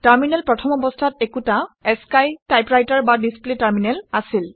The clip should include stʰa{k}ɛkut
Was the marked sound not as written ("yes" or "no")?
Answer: yes